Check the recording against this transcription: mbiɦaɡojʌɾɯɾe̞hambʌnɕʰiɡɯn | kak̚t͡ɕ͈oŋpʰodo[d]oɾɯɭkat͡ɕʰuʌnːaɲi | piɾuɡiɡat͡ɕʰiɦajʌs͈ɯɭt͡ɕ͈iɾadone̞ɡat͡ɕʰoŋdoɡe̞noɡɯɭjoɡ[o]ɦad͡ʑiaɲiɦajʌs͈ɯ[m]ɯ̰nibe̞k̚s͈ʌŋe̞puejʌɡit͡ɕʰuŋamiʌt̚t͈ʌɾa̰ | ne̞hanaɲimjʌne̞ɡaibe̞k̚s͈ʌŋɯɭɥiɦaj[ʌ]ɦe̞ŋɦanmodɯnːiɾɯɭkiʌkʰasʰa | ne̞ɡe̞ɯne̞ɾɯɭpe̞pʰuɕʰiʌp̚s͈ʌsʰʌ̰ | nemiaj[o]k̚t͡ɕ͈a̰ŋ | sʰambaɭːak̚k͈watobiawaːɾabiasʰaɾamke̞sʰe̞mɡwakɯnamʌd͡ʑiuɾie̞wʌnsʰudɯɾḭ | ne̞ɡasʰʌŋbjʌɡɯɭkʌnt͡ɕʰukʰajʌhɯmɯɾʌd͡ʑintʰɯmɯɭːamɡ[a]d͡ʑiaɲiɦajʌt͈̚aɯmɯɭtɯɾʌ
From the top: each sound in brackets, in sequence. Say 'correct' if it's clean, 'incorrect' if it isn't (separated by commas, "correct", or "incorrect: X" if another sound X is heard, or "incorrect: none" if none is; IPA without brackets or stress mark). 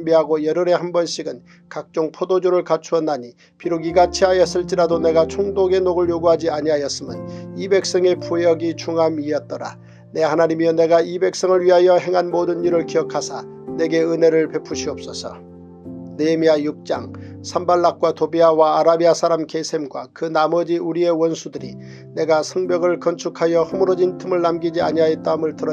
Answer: incorrect: d͡ʑ, incorrect: u, correct, correct, incorrect: u, incorrect: i